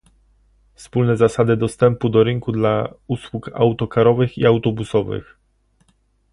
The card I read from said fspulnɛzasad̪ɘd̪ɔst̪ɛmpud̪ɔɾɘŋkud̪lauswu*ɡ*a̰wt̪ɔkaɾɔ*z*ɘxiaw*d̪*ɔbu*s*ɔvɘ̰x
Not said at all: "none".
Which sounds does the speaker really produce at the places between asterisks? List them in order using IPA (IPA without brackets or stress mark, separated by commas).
k, v, t̪, s